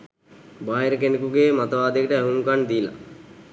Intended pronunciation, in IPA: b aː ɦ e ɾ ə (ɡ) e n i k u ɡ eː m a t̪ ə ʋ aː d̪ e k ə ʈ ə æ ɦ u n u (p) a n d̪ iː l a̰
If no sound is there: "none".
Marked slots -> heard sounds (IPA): k, k

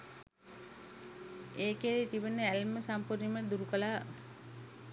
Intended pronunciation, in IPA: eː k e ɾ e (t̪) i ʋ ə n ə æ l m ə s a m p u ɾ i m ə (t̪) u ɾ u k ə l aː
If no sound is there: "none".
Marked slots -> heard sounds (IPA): t̪, d̪

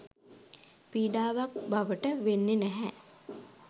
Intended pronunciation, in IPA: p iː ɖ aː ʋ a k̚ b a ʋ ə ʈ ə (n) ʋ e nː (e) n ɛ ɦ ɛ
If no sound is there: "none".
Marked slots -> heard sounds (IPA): none, e

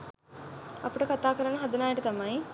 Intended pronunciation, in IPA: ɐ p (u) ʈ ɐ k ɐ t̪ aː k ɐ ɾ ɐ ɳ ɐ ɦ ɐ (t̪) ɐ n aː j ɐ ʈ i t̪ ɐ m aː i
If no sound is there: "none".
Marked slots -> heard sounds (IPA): u, d̪

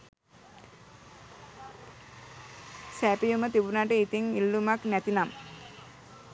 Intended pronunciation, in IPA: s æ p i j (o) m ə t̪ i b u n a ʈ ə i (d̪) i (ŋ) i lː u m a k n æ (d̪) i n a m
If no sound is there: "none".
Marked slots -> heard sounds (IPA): u, t̪, ŋ, t̪

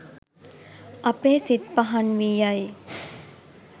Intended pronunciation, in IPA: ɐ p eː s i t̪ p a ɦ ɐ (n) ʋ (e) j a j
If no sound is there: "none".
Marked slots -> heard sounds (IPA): n, i

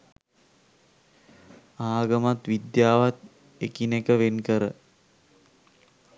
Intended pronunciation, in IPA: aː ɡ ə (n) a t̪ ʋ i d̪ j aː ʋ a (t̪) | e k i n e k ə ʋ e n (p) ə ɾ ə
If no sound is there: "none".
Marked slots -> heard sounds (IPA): m, t̪, k

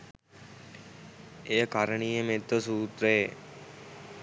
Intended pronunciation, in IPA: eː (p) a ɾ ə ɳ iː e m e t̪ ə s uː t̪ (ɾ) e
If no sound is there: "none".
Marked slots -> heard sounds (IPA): k, ɾ

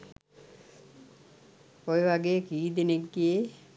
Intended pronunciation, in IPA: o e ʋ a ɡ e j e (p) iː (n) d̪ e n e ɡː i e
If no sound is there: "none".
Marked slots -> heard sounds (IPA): k, none

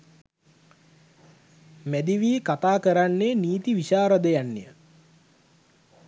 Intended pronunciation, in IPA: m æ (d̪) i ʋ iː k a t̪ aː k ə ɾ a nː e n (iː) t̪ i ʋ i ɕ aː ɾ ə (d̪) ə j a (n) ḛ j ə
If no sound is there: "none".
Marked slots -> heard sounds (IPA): d̪, iː, d̪, nː

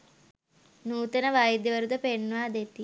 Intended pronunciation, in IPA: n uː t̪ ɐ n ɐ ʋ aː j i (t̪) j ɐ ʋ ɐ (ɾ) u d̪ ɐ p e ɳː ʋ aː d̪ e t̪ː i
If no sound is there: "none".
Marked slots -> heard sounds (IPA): d̪, ɾ

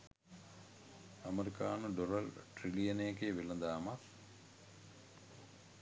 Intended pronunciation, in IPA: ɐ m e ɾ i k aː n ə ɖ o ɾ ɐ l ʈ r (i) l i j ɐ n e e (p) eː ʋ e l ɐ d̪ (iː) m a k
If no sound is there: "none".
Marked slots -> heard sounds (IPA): i, k, aː

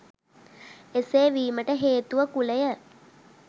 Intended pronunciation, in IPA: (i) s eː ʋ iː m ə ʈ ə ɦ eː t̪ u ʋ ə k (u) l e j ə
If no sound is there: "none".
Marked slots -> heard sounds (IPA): e, u

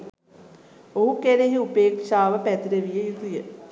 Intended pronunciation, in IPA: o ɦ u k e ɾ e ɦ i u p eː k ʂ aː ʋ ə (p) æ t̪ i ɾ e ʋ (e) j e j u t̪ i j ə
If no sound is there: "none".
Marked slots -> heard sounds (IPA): p, i

